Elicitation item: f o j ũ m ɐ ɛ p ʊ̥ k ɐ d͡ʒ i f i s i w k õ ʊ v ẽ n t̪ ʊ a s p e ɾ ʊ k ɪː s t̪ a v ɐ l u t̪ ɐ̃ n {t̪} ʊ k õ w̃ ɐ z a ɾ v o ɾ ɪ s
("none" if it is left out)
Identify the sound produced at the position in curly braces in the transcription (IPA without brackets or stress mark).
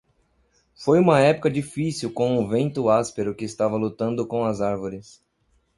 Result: d̪